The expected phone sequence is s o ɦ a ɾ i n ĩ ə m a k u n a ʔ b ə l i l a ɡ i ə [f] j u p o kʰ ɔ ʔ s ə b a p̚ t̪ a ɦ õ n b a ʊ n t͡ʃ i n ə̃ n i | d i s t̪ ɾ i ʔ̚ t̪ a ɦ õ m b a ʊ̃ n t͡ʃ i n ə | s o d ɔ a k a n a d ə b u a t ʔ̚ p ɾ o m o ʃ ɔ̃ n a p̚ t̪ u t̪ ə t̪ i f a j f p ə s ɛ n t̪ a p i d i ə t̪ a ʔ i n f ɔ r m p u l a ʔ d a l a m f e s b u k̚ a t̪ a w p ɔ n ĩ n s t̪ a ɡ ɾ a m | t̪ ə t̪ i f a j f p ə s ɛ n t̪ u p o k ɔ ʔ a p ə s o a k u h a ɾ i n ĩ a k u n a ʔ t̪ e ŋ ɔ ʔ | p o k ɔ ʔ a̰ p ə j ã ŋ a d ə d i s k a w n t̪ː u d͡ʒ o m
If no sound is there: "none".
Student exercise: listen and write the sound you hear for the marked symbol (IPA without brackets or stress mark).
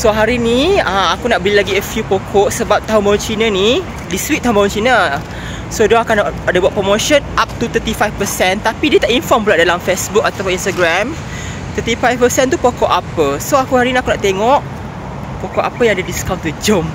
f